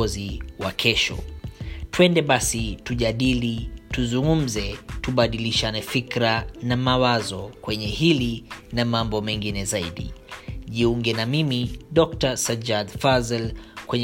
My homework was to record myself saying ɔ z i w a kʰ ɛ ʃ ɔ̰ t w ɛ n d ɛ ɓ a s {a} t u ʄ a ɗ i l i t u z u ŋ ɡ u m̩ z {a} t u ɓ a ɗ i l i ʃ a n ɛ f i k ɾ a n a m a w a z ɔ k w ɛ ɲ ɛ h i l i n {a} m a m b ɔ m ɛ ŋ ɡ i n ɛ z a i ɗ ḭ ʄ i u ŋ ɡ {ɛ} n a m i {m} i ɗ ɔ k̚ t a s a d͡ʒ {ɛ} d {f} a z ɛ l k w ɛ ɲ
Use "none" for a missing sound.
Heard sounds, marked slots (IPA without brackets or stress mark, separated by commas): i, ɛ, a, ɛ, m, a, f